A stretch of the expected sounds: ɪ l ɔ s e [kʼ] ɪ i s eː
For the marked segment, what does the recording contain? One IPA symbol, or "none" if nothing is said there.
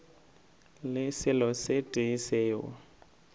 tʼ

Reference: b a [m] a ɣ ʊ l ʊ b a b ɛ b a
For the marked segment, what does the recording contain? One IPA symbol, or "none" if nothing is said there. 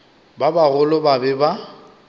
b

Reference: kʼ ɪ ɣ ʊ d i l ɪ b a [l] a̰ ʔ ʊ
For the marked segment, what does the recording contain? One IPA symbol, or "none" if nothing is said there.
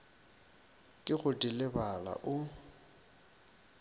l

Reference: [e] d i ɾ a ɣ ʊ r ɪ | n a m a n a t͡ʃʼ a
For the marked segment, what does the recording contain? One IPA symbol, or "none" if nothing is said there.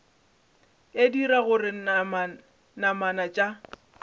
e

